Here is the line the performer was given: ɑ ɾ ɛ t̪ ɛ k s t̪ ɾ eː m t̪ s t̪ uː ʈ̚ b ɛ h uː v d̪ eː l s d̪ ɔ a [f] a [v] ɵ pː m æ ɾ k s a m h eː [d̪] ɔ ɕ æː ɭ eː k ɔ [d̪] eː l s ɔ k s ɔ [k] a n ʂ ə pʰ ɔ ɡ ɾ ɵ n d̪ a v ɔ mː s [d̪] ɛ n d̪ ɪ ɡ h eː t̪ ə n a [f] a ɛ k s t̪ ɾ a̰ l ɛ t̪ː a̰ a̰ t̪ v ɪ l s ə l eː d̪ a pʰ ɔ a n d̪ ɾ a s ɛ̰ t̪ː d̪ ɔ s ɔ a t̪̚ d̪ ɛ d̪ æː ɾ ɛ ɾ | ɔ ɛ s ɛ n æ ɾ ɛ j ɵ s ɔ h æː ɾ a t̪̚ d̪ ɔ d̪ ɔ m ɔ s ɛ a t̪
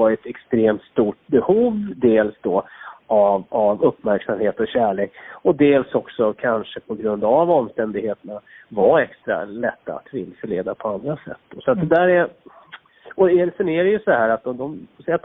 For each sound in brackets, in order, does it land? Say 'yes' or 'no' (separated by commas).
no, yes, no, yes, no, no, no